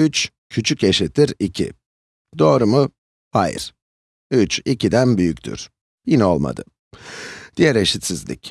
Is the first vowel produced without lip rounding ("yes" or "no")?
no